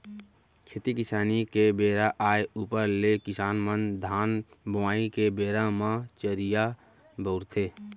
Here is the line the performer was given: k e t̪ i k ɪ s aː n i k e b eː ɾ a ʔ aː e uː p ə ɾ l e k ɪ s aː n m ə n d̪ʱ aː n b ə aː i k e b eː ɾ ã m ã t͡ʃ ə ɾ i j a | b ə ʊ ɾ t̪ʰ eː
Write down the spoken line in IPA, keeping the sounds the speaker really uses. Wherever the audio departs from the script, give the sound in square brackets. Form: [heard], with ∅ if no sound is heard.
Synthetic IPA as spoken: [kʰ] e t̪ i k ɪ s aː n i k e b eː ɾ a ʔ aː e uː p ə ɾ l e k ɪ s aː n m ə n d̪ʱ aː n b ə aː i k e b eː ɾ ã m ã t͡ʃ ə ɾ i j a | b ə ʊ ɾ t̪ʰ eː